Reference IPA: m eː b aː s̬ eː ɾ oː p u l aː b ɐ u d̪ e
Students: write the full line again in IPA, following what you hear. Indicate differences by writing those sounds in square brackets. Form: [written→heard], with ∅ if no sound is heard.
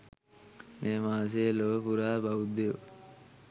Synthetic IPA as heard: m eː [b→m] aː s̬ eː [ɾ→l] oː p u [l→ɾ] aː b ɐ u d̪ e